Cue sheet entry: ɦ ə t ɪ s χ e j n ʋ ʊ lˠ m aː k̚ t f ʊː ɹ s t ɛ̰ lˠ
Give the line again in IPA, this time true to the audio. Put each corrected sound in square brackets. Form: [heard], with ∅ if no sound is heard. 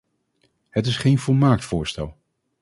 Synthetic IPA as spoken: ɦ ə t ɪ s χ e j n [v] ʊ lˠ m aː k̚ t f ʊː ɹ s t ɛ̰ lˠ